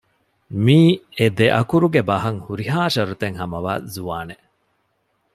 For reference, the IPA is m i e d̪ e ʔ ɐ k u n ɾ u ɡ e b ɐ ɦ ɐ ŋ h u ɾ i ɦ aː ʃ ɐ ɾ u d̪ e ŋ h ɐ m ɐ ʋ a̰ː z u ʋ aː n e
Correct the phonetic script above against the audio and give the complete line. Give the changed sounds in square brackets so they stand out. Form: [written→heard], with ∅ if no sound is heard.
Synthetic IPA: m [i→iː] e d̪ e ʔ ɐ k u [n→∅] ɾ u ɡ e b ɐ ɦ ɐ ŋ h u ɾ i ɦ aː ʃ ɐ ɾ u [d̪→t̪] e ŋ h ɐ m ɐ ʋ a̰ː z u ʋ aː n e